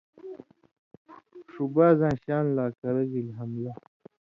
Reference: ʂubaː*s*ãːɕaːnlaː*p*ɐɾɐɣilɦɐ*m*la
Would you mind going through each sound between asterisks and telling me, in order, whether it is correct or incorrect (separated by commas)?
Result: incorrect, incorrect, correct